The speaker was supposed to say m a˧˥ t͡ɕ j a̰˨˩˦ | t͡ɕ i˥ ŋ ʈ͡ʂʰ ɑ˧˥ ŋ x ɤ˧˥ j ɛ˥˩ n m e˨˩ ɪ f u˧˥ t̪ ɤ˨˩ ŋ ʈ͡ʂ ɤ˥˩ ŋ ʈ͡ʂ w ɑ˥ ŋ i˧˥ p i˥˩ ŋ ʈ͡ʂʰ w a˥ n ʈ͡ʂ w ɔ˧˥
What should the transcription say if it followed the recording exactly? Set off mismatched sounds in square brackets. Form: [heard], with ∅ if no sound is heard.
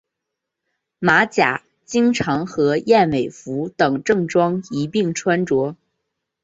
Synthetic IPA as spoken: m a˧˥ t͡ɕ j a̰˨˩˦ | t͡ɕ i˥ ŋ ʈ͡ʂʰ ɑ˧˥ ŋ x ɤ˧˥ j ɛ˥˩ n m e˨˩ ɪ f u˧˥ t̪ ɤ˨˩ ŋ ʈ͡ʂ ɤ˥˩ ŋ ʈ͡ʂ w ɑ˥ ŋ i˧˥ p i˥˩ ŋ ʈ͡ʂʰ w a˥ n ʈ͡ʂ w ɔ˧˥